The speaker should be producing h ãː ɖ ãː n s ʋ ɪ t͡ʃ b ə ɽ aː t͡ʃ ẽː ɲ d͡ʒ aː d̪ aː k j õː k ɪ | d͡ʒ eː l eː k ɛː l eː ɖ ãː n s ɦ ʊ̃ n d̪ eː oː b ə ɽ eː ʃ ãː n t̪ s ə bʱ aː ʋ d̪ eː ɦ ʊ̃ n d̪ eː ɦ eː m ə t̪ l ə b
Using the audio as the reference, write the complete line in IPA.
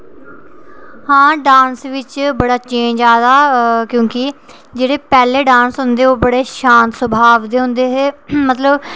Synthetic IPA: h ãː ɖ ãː n s ʋ ɪ t͡ʃ b ə ɽ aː t͡ʃ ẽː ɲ d͡ʒ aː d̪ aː k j õː k ɪ | d͡ʒ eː ɽ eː p ɛː l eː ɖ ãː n s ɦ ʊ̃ n d̪ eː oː b ə ɽ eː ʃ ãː n t̪ s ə bʱ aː ʋ d̪ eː ɦ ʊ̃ n d̪ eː ɦ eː m ə t̪ l ə b